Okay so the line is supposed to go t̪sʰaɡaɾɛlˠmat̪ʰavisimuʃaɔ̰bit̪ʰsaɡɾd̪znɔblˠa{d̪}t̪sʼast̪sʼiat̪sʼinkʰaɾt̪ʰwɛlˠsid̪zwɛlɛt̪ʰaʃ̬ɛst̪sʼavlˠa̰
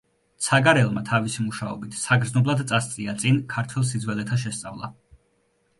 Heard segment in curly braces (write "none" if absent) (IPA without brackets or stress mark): d̪